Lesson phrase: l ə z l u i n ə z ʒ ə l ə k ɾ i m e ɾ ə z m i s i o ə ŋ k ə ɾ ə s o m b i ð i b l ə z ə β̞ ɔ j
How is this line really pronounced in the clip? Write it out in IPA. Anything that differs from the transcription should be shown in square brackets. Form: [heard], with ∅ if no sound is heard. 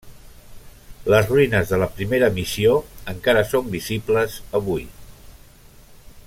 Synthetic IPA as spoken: l ə z [r] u i n ə z [ð] ə l ə [p] ɾ i m e ɾ ə [∅] m i s i o ə ŋ k [a] ɾ ə s o m b i [z] i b l ə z ə β̞ [u] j